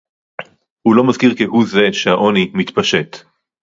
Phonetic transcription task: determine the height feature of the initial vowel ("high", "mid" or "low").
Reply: high